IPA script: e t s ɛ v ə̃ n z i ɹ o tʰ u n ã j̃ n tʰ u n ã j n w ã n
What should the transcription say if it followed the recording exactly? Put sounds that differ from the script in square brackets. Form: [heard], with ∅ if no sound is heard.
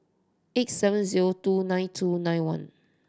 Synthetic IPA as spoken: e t s ɛ v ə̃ n z i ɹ o [t] u n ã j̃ n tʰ u n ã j n w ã n